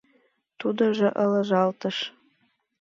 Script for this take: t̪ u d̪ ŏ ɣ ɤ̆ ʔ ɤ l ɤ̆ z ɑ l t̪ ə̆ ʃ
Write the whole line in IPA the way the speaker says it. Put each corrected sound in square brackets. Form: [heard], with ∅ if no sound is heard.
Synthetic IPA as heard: t̪ u d̪ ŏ [ʒ] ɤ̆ ʔ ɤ l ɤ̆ [ʒ] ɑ l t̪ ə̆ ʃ